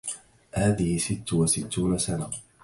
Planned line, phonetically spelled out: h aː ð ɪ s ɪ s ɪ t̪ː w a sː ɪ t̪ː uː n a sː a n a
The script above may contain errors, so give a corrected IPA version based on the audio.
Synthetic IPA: h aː ð ɪ h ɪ s ɪ t̪ː w a s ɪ t̪ː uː n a s a n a